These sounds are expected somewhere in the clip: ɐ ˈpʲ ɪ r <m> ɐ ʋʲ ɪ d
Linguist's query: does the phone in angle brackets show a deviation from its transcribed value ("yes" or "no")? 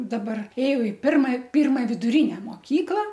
no